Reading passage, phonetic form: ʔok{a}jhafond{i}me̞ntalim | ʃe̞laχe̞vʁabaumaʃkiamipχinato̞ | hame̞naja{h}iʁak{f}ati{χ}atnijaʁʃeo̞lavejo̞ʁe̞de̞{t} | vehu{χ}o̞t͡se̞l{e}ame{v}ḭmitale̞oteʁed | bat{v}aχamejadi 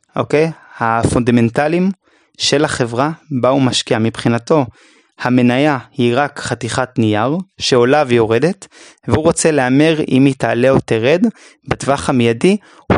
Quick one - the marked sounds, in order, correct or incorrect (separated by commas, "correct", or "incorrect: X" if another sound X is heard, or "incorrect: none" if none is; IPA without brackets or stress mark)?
incorrect: e, incorrect: a, correct, incorrect: χ, correct, correct, incorrect: ʁ, correct, incorrect: ʁ, correct